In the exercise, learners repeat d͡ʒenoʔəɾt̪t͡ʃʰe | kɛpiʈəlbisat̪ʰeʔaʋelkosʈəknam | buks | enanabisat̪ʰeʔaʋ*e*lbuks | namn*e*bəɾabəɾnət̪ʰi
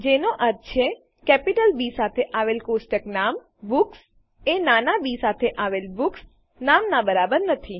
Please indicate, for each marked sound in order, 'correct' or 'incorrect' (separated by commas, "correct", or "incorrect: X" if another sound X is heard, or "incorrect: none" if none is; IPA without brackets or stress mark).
correct, incorrect: a